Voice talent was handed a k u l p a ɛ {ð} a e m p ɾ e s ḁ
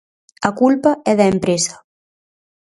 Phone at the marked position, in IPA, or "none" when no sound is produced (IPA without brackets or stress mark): ð